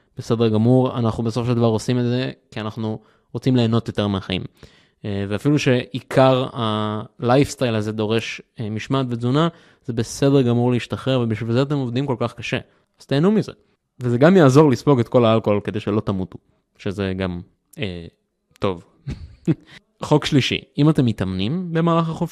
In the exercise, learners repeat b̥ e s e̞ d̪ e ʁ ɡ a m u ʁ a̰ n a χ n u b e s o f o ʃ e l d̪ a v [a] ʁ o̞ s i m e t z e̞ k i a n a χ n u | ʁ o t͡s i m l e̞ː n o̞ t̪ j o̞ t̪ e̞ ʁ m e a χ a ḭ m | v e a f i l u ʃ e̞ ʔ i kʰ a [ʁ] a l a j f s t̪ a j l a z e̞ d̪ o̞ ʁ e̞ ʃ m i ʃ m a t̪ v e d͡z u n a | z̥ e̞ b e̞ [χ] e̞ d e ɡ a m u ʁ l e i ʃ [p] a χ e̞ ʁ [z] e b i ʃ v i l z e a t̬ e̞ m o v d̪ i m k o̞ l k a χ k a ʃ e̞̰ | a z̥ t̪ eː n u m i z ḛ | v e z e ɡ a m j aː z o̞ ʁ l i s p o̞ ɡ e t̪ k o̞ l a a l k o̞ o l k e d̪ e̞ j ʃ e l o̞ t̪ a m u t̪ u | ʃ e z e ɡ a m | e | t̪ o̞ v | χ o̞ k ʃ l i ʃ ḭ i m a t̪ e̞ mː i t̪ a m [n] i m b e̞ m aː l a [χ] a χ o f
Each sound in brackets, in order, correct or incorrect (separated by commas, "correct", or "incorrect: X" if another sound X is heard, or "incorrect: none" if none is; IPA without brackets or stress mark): correct, correct, incorrect: s, incorrect: t, incorrect: v, correct, correct